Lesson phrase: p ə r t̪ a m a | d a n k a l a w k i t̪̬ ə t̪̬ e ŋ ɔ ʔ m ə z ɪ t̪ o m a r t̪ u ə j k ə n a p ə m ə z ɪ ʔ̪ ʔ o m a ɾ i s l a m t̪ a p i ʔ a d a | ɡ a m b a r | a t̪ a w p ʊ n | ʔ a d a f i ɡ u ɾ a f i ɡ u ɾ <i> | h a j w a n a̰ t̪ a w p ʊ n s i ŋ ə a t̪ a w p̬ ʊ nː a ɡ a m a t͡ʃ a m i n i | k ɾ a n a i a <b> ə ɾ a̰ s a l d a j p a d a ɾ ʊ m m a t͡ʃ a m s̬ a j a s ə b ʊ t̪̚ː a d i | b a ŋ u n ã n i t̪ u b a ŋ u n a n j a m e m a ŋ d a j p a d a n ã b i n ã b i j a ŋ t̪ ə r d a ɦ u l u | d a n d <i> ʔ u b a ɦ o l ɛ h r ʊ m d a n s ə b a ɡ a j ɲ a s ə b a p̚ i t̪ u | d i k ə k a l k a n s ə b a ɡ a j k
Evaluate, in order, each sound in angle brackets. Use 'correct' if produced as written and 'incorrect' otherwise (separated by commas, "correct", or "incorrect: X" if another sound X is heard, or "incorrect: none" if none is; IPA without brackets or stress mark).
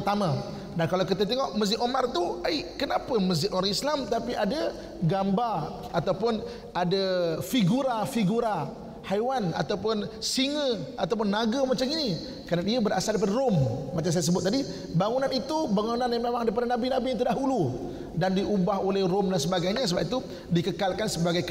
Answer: incorrect: a, correct, correct